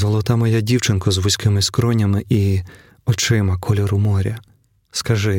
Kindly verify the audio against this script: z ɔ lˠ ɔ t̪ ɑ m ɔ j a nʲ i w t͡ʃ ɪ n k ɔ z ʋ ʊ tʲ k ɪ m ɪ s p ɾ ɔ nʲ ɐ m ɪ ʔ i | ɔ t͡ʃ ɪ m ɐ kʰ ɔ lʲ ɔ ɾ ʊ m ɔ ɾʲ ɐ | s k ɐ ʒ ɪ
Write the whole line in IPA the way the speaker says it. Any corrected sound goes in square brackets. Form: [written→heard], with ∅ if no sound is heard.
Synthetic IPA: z ɔ lˠ ɔ t̪ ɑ m ɔ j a [nʲ→dʲ] i w t͡ʃ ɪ n k ɔ z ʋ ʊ [tʲ→sʲ] k ɪ m ɪ s [p→k] ɾ ɔ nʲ ɐ m ɪ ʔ i | ɔ t͡ʃ ɪ m ɐ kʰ ɔ lʲ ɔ ɾ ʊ m ɔ ɾʲ ɐ | s k ɐ ʒ ɪ